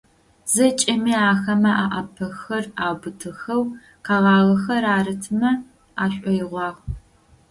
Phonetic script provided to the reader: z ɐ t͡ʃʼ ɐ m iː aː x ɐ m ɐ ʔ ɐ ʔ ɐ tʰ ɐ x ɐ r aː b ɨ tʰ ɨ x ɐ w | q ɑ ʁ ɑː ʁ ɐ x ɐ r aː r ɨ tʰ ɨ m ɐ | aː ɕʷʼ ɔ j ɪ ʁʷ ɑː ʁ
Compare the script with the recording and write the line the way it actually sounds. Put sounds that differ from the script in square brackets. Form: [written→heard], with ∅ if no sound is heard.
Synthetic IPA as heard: z ɐ t͡ʃʼ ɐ m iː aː x ɐ m ɐ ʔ [ɐ→a] ʔ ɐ [tʰ→pʰ] ɐ x ɐ r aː b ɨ tʰ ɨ x ɐ w | q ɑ ʁ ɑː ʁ ɐ x ɐ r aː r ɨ tʰ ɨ m ɐ | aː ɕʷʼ ɔ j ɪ ʁʷ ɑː ʁ